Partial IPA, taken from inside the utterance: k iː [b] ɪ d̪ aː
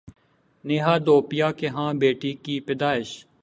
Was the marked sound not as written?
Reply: yes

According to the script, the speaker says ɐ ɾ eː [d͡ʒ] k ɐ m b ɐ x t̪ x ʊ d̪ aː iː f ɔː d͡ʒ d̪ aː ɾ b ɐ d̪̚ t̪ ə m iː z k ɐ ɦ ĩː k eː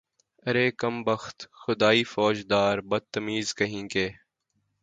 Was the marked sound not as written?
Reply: yes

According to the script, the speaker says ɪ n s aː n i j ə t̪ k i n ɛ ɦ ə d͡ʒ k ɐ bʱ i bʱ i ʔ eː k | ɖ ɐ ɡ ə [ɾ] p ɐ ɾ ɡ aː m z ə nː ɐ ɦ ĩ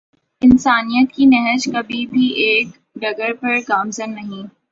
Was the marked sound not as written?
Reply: no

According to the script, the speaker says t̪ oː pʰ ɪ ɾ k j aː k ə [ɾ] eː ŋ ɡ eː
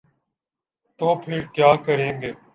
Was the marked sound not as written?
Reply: no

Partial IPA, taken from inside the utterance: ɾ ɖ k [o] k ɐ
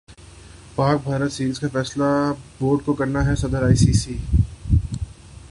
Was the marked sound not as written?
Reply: no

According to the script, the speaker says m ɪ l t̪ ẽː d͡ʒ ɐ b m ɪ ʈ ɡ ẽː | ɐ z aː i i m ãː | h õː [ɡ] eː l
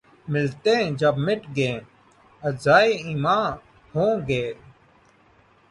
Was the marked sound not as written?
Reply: no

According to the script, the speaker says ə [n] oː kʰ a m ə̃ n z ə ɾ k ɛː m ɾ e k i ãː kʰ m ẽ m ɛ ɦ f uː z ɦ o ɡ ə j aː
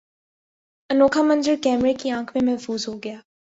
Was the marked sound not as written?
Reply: no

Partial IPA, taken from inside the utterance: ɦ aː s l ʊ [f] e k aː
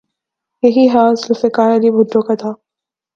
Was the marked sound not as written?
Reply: no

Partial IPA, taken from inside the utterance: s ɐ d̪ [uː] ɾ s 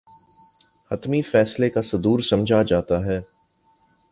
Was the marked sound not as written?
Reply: no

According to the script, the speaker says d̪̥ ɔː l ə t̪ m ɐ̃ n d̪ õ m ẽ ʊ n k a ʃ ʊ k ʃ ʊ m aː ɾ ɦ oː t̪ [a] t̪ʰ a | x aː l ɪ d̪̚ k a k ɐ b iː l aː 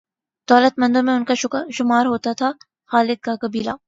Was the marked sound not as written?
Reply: no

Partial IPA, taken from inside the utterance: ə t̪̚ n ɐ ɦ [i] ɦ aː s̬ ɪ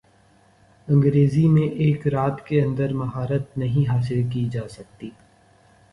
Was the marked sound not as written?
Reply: yes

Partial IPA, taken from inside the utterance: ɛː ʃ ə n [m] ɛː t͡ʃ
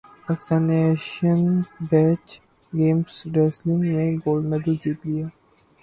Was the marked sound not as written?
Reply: yes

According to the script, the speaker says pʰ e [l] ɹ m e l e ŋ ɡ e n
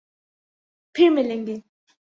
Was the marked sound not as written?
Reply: yes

